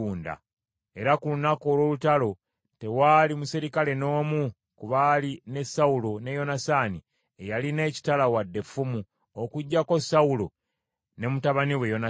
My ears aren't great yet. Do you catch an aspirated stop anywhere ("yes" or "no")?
no